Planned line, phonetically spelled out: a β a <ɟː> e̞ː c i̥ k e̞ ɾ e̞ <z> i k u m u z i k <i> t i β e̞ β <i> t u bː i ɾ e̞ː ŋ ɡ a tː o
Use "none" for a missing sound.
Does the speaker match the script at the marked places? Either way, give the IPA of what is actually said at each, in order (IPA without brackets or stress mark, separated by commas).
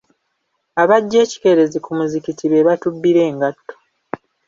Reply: ɟː, z, i, a